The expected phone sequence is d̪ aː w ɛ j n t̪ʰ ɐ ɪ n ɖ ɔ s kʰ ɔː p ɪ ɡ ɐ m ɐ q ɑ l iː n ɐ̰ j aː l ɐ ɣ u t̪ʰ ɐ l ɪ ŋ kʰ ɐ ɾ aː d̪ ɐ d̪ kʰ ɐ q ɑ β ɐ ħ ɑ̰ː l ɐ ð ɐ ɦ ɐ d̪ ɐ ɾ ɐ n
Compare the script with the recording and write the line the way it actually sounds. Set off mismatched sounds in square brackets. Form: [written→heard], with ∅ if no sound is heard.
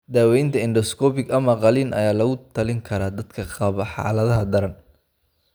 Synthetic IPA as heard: d̪ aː w ɛ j n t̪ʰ ɐ ɪ n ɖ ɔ s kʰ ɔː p ɪ ɡ ɐ m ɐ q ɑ l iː n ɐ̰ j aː l ɐ ɣ [u→ʊ] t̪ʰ ɐ l ɪ ŋ kʰ ɐ ɾ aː d̪ ɐ d̪ kʰ ɐ q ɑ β ɐ ħ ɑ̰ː l ɐ ð ɐ ɦ ɐ d̪ ɐ ɾ ɐ n